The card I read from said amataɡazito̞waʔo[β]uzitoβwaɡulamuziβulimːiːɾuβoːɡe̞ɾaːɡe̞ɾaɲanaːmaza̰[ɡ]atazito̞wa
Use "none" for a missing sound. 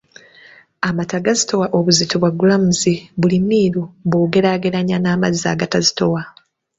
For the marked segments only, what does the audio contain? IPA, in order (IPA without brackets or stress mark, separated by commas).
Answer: β, ɡ